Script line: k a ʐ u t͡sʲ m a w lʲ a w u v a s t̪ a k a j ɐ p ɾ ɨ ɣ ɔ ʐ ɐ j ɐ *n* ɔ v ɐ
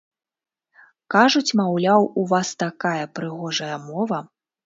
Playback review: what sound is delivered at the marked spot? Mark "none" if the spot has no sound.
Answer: m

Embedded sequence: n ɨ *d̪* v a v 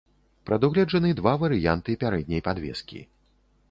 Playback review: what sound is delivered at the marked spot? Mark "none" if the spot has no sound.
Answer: d̪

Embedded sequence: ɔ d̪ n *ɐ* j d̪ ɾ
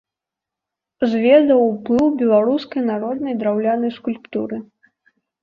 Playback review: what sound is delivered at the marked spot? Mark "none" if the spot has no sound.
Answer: ɐ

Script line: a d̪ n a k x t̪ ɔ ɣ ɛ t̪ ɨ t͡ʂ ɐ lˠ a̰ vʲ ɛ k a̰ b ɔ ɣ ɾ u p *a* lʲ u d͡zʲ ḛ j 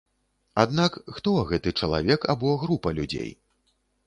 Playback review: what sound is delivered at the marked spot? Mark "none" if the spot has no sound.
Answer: ɐ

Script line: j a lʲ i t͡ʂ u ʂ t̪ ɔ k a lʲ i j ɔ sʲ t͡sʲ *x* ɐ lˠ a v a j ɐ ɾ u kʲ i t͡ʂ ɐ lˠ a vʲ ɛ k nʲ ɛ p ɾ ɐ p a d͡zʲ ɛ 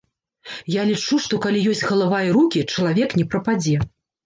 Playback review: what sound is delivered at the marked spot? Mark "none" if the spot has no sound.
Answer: ɣ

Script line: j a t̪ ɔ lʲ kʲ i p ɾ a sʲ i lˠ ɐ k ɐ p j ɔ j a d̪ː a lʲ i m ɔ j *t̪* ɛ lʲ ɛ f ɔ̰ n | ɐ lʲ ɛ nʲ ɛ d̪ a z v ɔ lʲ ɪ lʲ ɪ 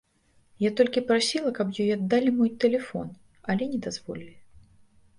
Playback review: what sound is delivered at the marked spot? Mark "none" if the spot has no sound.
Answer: t̪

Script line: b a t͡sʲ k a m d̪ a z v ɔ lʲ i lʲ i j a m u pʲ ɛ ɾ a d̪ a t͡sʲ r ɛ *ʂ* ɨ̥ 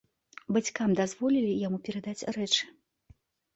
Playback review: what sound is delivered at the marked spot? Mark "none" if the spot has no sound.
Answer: t͡ʂ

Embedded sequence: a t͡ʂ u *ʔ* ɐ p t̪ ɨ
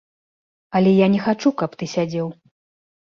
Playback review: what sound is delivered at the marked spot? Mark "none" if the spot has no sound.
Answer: k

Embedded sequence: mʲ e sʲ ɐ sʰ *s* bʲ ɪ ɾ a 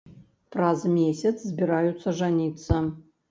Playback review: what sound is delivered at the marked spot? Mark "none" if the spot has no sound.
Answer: z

